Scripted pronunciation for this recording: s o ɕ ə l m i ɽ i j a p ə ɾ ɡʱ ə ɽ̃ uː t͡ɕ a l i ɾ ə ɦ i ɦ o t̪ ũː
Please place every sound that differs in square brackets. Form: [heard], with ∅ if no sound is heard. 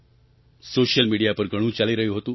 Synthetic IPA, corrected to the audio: s o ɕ ə l m i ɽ i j a p ə ɾ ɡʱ ə ɽ̃ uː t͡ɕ a l i ɾ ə ɦ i ɦ o t̪ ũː